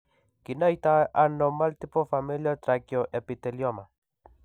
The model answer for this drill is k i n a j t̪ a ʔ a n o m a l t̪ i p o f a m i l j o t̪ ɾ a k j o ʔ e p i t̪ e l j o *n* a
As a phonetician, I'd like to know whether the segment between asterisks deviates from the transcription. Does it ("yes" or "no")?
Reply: yes